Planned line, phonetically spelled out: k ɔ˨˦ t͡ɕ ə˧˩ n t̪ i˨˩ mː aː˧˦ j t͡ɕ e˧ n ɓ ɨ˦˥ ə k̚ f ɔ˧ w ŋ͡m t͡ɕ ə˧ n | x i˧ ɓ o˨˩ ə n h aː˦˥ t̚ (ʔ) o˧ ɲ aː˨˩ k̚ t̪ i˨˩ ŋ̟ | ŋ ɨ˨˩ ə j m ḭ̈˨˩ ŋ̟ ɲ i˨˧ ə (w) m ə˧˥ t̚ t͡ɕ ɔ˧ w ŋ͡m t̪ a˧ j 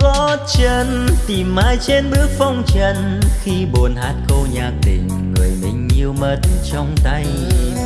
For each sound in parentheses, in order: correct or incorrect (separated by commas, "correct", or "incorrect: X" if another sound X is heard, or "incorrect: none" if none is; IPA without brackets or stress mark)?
incorrect: k, correct